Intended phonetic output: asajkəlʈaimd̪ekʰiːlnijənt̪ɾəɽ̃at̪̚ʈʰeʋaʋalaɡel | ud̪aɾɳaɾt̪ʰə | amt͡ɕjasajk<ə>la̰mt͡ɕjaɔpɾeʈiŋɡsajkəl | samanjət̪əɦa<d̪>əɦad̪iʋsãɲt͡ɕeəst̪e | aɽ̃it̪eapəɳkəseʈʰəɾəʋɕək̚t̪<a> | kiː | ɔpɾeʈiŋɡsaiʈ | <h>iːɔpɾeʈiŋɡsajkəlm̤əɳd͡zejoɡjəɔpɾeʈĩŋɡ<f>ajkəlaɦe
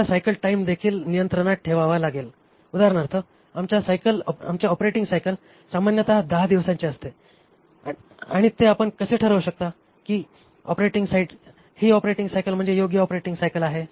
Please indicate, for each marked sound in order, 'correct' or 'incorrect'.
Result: correct, correct, correct, correct, incorrect

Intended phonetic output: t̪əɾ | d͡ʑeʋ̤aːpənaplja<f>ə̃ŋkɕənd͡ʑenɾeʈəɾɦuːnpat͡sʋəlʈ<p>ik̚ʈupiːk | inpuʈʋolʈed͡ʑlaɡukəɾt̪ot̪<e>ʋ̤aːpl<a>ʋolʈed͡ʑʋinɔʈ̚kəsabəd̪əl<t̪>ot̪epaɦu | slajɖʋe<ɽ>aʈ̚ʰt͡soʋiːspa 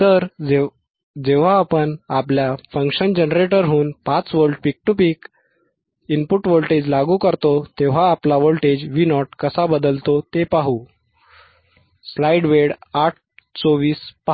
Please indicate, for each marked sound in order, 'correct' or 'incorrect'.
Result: correct, correct, correct, correct, correct, correct

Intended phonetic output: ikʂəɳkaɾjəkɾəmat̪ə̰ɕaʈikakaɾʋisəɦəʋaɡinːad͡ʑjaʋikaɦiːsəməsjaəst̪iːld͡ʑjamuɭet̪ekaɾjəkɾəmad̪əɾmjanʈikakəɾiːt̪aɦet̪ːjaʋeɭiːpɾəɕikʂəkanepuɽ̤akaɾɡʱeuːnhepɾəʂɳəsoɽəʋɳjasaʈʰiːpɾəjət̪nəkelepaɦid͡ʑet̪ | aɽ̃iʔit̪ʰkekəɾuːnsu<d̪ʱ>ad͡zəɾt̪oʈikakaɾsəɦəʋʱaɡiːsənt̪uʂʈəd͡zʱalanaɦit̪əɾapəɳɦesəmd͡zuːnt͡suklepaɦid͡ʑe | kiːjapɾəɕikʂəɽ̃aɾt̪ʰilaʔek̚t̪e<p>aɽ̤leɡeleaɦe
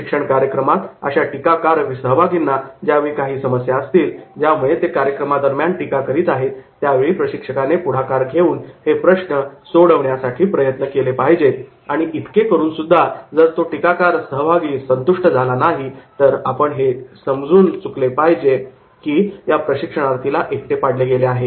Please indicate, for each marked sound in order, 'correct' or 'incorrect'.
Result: incorrect, correct

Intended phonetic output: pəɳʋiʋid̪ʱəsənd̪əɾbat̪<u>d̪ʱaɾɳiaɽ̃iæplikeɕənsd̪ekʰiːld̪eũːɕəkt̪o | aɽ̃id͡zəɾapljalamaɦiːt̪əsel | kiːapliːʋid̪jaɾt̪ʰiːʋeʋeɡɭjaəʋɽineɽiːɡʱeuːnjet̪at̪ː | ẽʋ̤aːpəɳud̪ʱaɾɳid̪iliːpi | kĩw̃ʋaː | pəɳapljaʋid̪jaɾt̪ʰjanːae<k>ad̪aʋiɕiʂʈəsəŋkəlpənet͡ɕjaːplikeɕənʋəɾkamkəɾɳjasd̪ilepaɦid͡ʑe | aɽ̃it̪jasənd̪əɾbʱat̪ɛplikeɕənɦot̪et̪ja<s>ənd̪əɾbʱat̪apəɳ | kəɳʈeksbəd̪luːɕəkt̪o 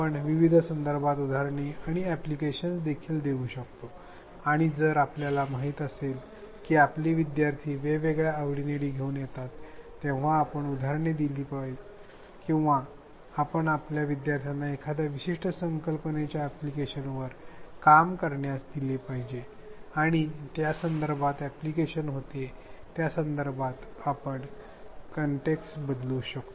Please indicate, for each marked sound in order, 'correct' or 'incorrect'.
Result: correct, incorrect, correct

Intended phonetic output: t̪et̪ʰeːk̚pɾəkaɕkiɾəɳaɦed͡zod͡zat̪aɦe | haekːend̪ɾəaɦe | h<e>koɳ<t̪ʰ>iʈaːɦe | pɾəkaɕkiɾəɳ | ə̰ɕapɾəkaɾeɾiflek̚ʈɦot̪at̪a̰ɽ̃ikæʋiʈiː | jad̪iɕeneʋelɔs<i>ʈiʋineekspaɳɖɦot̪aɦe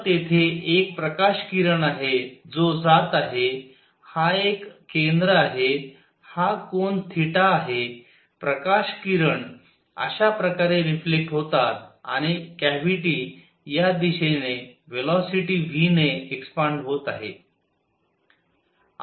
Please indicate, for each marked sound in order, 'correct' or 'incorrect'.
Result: incorrect, correct, correct

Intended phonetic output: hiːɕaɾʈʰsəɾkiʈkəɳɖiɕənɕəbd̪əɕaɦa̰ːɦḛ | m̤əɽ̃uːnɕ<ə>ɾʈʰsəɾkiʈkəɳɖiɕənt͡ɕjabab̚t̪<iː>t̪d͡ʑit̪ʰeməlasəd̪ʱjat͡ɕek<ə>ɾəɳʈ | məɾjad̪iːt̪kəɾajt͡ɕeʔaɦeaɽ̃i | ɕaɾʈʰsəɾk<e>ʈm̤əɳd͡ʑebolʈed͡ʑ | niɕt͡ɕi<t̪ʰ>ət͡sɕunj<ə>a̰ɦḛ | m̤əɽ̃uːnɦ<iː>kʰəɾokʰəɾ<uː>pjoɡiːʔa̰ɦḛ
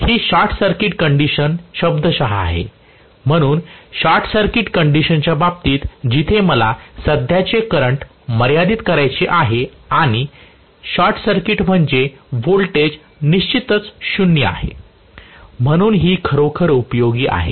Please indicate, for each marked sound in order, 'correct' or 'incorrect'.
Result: incorrect, correct, correct, incorrect, incorrect, correct, correct, incorrect

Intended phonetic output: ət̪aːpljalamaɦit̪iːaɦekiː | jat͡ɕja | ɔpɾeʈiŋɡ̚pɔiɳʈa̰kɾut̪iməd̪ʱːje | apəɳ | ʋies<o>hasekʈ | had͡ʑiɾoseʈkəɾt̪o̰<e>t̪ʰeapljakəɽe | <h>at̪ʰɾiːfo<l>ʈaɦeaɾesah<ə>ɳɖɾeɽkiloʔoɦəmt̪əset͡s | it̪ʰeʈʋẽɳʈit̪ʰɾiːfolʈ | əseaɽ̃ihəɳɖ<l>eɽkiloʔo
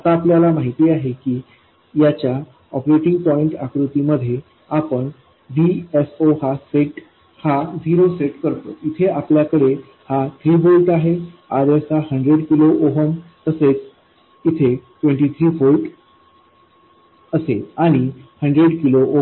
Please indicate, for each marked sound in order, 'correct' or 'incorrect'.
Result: correct, incorrect, correct, correct, correct, incorrect

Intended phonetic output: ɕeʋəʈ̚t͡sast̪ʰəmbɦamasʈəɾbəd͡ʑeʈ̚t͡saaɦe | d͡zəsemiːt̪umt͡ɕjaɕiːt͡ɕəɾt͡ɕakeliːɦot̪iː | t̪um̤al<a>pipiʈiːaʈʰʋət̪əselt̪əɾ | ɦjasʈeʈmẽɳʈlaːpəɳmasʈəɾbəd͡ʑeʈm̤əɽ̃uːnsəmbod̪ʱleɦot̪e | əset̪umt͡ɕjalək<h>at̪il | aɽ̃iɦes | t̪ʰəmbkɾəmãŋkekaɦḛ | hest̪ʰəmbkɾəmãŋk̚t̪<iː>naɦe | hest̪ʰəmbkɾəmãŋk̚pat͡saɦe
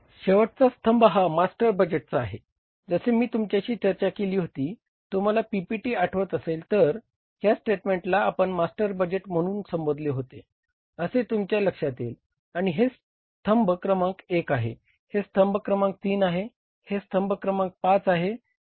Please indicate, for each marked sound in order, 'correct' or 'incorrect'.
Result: correct, incorrect, correct

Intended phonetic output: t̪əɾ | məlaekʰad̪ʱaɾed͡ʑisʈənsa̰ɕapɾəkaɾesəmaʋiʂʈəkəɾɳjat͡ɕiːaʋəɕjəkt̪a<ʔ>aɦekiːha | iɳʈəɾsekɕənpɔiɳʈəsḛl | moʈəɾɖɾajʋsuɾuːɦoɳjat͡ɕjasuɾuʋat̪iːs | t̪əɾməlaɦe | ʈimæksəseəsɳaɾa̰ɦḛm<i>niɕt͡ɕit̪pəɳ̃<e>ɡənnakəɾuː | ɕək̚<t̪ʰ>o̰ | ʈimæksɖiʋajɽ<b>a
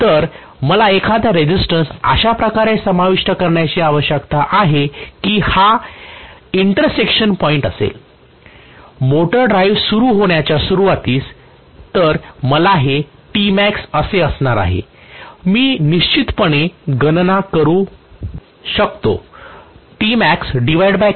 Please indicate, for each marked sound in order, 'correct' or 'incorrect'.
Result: correct, incorrect, correct, incorrect, correct

